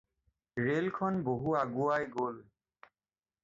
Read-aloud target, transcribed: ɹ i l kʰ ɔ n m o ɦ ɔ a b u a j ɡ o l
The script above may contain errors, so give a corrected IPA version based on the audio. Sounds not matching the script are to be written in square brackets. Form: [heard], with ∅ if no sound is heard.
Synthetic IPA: ɹ [e] l kʰ ɔ n [b] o ɦ [u] a [ɡ] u a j ɡ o l